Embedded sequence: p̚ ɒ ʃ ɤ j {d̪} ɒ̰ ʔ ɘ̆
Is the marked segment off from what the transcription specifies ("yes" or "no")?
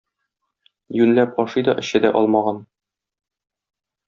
no